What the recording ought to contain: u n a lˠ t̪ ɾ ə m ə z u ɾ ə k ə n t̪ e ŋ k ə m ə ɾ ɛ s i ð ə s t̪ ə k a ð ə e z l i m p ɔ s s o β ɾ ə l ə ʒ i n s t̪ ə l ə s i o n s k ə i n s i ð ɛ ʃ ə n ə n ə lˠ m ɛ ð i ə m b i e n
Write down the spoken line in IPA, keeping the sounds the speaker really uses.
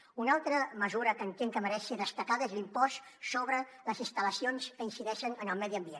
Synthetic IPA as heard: u n a lˠ t̪ ɾ ə m ə z u ɾ ə k ə n t̪ e ŋ k ə m ə ɾ ɛ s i ð ə s t̪ ə k a ð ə e z l i m p ɔ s s o β ɾ ə l ə z i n s t̪ ə l ə s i o n s k ə i n s i ð ɛ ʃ ə n ə n ə lˠ m ɛ ð i ə m b i e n

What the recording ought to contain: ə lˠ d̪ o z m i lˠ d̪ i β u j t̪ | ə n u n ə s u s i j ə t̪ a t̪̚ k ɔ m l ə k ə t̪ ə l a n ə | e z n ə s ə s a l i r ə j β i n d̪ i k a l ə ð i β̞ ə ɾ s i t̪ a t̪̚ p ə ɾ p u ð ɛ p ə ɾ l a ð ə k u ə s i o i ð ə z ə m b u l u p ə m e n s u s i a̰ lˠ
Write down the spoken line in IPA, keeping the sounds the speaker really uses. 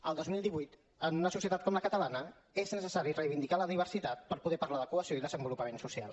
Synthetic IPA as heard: ə lˠ d̪ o z m i lˠ d̪ i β u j t̪ | ə n u n ə s u s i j ə t̪ a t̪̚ k ɔ m l ə k ə t̪ ə l a n ə | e z n ə s ə s a ɾ i r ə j β i n d̪ i k a l ə ð i β̞ ə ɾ s i t̪ a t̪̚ p ə ɾ p u ð ɛ p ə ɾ l a ð ə k u ə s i o i ð ə z ə m b u l u p ə m e n s u s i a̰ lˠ

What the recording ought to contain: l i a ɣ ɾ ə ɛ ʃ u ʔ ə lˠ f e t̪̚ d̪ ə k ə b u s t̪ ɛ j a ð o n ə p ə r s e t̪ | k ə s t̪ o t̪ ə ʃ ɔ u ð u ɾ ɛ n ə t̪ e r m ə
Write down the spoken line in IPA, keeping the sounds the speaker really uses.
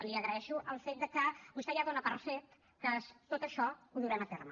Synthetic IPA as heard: l i ə ɣ ɾ ə ɛ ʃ u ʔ ə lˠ f e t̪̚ d̪ ə k ə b u s t̪ ɛ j a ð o n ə p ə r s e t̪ | k ə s t̪ o t̪ ə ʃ ɔ u ð u ɾ ɛ m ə t̪ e r m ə

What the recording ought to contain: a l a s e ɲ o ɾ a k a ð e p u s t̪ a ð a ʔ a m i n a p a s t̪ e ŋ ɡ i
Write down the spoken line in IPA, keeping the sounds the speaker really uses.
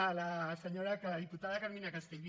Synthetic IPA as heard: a l a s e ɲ o ɾ a k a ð i p u t̪ a ð a k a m i n a k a s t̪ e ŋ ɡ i

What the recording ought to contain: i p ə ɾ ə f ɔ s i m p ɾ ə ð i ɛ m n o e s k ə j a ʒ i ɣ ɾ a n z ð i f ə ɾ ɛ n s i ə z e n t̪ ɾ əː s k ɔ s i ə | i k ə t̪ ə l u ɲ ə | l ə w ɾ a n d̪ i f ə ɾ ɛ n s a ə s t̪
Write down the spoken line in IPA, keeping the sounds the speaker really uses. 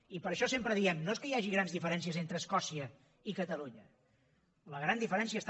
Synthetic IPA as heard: i p ə ɾ ə ʃ ɔ s e m p ɾ ə ð i ɛ m n o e s k ə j a ʒ i ɣ ɾ a n z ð i f ə ɾ ɛ n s i ə z e n t̪ ɾ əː s k ɔ s i ə | i k ə t̪ ə l u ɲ ə | l ə ɣ ɾ a n d̪ i f ə ɾ ɛ n s i ə s t̪

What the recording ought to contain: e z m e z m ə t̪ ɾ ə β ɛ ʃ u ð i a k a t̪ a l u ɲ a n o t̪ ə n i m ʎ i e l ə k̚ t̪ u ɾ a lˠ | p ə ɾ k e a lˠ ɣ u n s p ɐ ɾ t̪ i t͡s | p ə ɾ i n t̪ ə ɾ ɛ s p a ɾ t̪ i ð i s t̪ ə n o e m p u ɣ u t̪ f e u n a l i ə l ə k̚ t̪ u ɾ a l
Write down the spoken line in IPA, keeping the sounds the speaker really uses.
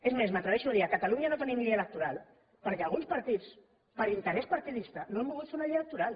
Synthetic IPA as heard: e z m e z m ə t̪ ɾ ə β ɛ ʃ u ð i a k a t̪ a l u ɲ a n o t̪ ə n i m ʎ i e l ə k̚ t̪ u ɾ a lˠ | p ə ɾ k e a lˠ ɣ u n s p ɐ ɾ t̪ i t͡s | p ə ɾ i n t̪ ə ɾ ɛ s p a ɾ t̪ i ð i s t̪ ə n o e m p u ɣ u t̪ f e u n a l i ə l ə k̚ t̪ u ɾ a l

